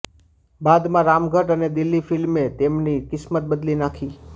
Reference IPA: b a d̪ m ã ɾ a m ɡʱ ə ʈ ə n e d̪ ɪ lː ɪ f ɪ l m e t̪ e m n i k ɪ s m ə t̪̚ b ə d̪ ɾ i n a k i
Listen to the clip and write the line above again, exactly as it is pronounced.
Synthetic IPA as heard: b a d̪ m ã ɾ a m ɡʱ ə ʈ ə n e d̪ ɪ lː i f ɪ l m e t̪ e m n i k ɪ s m ə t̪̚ b ə d̪ l i n a kʰ i